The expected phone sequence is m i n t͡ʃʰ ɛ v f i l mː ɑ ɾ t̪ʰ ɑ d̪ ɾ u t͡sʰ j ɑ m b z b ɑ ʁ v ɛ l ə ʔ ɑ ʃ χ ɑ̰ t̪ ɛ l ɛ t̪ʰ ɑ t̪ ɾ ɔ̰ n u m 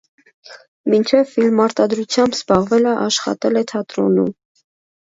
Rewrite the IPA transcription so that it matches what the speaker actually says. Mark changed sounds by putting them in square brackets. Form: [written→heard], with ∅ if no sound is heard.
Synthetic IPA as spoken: m i n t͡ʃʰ ɛ v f i l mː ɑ ɾ [t̪ʰ→t̪] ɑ d̪ ɾ u t͡sʰ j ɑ m b z b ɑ ʁ v ɛ l ə ʔ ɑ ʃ χ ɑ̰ t̪ ɛ l ɛ t̪ʰ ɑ t̪ ɾ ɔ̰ n u m